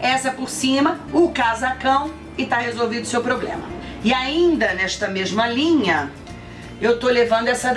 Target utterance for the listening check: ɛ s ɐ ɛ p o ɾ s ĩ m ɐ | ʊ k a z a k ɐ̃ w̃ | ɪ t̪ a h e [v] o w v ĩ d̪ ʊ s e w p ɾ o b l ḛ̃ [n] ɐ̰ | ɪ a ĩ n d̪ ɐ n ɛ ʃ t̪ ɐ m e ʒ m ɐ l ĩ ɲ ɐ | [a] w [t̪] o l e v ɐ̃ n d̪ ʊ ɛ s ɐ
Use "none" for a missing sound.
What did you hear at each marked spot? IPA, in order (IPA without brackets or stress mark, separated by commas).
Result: z, m, e, t̪